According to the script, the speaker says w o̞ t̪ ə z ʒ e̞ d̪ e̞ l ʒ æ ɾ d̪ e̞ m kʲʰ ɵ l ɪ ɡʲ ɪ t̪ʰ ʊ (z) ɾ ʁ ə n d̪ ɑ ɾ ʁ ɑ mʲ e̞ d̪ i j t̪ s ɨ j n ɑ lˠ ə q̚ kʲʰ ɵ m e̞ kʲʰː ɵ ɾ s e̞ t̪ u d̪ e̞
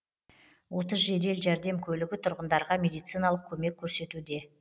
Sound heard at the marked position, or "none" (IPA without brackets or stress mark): none